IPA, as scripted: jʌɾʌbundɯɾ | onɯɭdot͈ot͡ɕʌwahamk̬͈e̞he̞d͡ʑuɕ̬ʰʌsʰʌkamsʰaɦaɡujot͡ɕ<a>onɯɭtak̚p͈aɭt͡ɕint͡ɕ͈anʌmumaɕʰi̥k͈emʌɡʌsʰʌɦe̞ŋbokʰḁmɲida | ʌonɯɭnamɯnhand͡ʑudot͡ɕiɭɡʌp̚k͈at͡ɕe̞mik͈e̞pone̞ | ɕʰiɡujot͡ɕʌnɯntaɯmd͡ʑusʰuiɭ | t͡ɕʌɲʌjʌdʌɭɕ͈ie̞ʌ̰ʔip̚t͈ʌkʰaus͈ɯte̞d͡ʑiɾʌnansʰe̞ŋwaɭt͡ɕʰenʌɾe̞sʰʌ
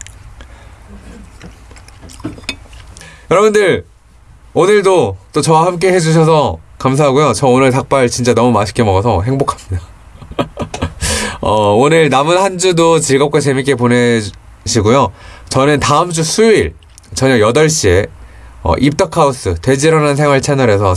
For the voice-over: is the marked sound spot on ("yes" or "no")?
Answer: no